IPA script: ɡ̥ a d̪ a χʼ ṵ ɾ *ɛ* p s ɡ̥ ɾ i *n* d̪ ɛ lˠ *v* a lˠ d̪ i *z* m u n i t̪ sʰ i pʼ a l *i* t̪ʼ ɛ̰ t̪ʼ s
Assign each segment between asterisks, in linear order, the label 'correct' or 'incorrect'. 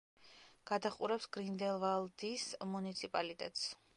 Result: correct, correct, correct, incorrect, correct

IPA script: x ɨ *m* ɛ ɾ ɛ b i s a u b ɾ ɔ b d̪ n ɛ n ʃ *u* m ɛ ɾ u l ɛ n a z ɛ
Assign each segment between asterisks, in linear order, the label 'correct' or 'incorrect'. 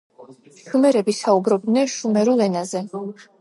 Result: correct, correct

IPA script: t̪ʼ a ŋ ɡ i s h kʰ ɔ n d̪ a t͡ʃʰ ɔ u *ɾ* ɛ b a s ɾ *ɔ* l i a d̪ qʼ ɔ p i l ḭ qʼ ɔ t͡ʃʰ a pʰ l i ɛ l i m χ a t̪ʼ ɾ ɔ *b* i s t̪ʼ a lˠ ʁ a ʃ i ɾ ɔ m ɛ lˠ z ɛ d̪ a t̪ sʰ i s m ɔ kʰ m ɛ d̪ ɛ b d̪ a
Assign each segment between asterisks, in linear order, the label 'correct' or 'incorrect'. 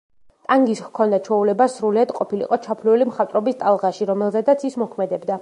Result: incorrect, incorrect, correct

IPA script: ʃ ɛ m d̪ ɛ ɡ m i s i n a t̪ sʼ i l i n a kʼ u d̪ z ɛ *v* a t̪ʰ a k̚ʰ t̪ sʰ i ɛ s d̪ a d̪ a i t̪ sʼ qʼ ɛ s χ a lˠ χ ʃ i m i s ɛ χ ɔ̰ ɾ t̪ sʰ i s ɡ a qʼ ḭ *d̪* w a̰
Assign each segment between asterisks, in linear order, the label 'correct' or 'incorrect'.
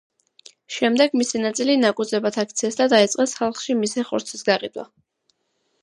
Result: incorrect, correct

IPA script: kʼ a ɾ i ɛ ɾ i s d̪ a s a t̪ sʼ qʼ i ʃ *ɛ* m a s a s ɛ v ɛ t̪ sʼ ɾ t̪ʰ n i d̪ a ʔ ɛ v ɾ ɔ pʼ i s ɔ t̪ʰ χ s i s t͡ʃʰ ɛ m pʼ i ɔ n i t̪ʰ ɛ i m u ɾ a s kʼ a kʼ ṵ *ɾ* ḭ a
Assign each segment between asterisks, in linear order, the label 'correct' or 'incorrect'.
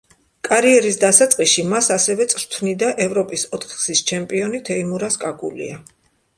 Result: incorrect, incorrect

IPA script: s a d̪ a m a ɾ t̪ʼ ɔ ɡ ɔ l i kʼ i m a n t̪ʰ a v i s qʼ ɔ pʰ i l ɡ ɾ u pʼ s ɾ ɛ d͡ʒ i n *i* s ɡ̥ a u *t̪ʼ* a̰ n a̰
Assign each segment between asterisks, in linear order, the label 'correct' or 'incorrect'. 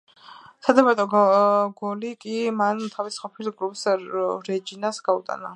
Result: incorrect, correct

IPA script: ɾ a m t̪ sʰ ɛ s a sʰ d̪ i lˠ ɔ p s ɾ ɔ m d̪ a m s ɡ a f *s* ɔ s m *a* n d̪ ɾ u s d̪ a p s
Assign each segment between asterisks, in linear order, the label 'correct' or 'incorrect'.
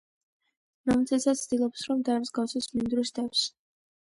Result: correct, incorrect

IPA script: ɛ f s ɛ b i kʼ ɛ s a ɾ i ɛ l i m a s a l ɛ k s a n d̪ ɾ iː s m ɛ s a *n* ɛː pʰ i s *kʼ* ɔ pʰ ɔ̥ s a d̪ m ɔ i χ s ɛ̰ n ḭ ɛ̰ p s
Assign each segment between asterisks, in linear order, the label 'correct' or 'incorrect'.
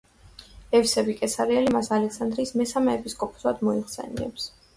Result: incorrect, correct

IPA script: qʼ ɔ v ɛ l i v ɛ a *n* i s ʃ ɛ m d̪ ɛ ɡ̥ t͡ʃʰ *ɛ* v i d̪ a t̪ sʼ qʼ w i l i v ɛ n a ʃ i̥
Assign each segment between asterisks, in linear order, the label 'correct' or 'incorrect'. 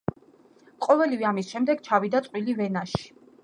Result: incorrect, incorrect

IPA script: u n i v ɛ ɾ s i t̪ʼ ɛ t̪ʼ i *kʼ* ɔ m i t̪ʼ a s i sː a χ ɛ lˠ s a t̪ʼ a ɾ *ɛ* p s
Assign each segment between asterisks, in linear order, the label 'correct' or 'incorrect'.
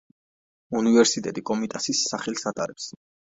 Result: correct, correct

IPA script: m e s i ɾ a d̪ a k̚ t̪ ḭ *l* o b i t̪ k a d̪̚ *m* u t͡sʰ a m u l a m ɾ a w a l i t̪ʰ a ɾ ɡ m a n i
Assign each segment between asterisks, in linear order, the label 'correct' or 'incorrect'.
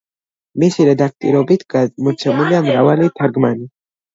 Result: incorrect, correct

